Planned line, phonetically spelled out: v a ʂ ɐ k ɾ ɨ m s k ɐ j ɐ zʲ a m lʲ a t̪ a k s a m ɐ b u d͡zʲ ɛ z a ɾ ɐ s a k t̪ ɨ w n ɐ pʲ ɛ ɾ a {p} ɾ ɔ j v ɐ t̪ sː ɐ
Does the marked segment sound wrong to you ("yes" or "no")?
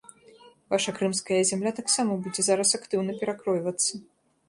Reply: yes